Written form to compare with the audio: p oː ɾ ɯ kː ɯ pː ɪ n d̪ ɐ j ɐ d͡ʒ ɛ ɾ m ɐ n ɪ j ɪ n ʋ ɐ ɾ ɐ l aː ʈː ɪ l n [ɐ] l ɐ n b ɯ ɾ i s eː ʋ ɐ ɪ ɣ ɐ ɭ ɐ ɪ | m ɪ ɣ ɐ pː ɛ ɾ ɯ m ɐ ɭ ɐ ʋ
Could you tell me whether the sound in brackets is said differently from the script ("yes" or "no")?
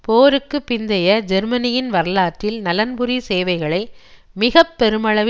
no